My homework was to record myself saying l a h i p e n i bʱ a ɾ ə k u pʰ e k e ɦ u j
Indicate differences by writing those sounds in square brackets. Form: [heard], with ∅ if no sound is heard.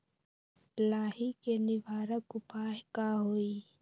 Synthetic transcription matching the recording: l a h i [k] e n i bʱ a ɾ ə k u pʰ [a] k [a] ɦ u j